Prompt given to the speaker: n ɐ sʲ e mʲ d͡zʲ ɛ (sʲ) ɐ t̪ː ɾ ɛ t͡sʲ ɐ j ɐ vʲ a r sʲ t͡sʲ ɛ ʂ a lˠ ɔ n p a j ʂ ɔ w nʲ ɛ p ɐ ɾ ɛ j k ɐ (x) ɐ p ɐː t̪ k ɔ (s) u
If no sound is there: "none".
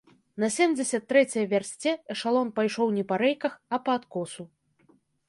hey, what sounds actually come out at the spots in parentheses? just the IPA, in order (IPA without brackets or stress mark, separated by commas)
sʲ, x, s